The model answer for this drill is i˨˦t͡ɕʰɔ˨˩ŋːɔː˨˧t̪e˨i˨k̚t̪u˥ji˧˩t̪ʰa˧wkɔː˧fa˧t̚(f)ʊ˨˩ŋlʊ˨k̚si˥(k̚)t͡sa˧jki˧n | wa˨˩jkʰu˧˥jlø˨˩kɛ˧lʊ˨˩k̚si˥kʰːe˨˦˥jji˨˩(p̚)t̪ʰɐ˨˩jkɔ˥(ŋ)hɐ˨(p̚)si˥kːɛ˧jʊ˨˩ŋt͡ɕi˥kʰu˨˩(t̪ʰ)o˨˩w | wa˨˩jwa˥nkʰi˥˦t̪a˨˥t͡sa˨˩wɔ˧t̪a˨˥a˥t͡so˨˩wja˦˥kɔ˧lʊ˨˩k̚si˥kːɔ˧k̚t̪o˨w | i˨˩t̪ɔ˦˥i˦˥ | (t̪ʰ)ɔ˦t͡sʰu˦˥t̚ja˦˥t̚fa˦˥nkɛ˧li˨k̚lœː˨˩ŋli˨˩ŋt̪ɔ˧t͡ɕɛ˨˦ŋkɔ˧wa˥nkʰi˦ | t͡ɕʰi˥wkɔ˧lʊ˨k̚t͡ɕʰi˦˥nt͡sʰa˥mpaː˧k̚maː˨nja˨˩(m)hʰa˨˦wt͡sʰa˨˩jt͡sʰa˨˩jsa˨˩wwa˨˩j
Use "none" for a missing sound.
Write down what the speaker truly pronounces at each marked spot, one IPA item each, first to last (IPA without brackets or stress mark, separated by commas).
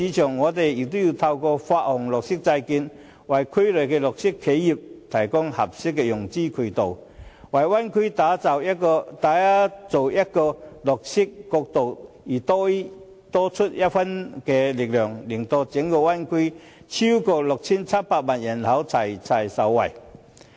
h, k̚, p̚, ŋ, p̚, t̪, t̪, n